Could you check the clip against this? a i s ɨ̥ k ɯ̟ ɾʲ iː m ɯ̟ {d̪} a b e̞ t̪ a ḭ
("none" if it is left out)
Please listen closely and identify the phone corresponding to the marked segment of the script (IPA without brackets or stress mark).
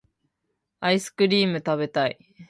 t̪